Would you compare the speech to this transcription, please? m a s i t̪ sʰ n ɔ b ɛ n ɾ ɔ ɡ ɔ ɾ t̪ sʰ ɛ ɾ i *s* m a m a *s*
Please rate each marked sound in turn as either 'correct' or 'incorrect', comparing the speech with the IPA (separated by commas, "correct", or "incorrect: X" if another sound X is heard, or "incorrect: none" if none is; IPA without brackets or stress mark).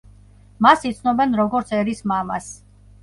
correct, correct